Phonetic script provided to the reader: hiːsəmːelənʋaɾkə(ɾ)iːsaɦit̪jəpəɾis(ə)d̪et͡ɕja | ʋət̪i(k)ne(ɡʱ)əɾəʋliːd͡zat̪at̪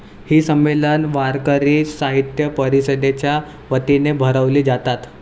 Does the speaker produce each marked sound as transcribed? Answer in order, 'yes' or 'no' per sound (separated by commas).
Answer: yes, yes, no, no